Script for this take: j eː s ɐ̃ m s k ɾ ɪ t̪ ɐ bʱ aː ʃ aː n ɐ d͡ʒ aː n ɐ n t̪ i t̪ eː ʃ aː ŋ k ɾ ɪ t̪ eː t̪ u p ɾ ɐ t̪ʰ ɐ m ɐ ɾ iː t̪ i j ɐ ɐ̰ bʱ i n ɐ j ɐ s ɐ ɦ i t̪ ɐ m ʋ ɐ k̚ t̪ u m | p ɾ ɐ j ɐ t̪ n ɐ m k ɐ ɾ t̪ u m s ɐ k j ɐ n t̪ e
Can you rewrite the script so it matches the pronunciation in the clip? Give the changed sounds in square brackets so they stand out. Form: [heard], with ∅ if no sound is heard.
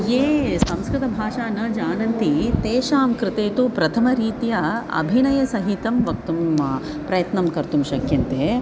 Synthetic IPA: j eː s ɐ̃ m s k ɾ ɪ t̪ ɐ bʱ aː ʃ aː n ɐ d͡ʒ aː n ɐ n t̪ i t̪ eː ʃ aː [m] k ɾ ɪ t̪ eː t̪ u p ɾ ɐ t̪ʰ ɐ m ɐ ɾ iː t̪ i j ɐ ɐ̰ bʱ i n ɐ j ɐ s ɐ ɦ i t̪ ɐ m ʋ ɐ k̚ t̪ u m | p ɾ ɐ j ɐ t̪ n ɐ m k ɐ ɾ t̪ u m [ʃ] ɐ k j ɐ n t̪ e